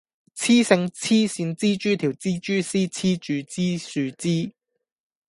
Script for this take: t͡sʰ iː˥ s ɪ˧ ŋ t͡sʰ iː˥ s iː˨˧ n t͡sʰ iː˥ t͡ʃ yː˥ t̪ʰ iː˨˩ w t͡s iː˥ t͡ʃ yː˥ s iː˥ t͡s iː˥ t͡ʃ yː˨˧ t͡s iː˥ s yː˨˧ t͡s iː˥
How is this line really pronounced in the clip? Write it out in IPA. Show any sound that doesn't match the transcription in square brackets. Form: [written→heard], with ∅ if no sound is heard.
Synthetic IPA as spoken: t͡sʰ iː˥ s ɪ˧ ŋ t͡sʰ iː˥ s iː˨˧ n [t͡sʰ→t͡s] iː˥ t͡ʃ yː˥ t̪ʰ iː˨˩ w t͡s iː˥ t͡ʃ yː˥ s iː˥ [t͡s→t͡sʰ] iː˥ t͡ʃ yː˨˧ t͡s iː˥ s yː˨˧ t͡s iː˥